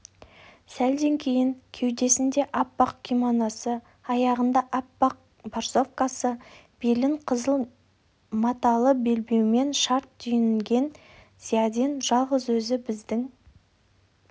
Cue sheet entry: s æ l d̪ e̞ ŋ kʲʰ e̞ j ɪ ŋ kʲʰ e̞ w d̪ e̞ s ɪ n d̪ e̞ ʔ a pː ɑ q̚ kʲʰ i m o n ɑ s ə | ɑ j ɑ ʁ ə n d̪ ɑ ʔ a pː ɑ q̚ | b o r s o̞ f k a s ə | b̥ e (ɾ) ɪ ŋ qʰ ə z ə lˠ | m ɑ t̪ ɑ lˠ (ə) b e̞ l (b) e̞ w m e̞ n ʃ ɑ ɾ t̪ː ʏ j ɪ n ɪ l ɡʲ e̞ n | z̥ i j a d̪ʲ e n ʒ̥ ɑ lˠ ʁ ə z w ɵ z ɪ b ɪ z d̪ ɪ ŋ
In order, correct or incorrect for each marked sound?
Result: incorrect: l, correct, correct

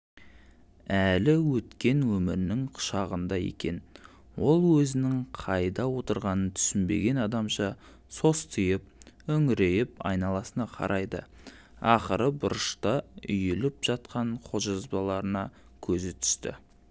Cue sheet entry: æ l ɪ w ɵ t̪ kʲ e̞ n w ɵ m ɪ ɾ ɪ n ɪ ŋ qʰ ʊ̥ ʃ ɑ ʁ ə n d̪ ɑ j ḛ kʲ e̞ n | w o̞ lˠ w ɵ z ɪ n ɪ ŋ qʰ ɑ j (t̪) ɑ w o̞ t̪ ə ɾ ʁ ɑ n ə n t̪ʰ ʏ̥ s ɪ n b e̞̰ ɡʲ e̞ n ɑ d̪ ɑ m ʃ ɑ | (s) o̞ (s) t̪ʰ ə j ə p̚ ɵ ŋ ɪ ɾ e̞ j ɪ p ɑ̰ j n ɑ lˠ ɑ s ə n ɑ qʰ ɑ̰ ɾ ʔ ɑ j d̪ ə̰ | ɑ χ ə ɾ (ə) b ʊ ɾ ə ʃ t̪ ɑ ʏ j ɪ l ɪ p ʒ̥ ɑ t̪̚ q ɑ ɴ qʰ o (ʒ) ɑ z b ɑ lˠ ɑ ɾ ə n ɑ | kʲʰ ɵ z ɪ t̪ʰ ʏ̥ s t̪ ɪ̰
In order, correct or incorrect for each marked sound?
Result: incorrect: d̪, correct, correct, correct, correct

